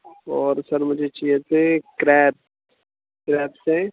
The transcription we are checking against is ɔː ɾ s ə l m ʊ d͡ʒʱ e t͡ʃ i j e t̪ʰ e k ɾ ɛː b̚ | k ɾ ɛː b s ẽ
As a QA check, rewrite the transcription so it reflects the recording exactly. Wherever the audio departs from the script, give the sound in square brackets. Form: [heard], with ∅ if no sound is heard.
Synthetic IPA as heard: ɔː ɾ s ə [ɾ] m ʊ d͡ʒʱ e t͡ʃ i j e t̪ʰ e k ɾ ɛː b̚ | k ɾ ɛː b s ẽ